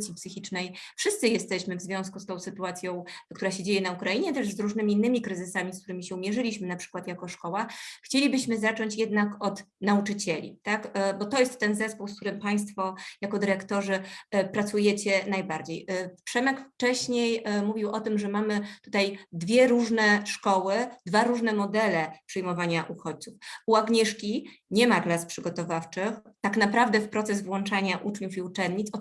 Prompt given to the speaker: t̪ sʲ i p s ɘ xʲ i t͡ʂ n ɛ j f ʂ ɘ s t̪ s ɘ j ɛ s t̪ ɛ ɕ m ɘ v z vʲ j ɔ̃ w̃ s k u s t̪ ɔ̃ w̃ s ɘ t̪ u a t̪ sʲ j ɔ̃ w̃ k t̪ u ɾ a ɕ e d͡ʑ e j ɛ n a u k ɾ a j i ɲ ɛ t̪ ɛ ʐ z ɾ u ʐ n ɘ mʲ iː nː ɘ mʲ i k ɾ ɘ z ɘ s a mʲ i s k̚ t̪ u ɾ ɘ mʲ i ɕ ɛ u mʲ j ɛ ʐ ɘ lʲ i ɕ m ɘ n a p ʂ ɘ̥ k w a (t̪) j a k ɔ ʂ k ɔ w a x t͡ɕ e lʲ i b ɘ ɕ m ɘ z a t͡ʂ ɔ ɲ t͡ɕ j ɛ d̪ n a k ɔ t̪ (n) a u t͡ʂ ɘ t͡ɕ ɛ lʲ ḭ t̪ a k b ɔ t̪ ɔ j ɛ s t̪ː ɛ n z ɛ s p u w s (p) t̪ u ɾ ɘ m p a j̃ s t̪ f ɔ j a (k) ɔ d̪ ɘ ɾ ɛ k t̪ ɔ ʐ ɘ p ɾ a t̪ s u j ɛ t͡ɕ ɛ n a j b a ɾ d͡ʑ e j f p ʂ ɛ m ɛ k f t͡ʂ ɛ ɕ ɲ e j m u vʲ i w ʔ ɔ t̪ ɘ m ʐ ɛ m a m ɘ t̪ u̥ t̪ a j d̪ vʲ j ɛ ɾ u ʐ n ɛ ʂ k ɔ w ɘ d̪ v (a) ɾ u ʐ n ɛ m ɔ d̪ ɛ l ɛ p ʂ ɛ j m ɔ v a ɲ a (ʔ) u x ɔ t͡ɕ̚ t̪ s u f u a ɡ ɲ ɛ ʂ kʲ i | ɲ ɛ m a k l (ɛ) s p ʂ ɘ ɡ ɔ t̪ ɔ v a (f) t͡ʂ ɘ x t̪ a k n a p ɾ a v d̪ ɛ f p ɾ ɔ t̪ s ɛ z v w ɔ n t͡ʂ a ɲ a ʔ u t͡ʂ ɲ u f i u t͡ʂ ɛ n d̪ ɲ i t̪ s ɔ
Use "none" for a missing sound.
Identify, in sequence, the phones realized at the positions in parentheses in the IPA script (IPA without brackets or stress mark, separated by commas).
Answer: t̪, n, k, k, a, ʔ, a, f